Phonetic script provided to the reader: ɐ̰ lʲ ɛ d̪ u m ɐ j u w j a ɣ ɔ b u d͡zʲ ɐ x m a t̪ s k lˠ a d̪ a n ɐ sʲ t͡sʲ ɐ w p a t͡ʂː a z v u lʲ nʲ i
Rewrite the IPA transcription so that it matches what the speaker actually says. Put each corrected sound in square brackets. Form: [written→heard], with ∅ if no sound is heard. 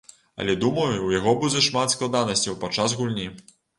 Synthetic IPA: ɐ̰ lʲ ɛ d̪ u m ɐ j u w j a ɣ ɔ b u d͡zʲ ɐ [x→ʂ] m a t̪ s k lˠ a d̪ a n ɐ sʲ t͡sʲ ɐ w p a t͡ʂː a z [v→ɣ] u lʲ nʲ i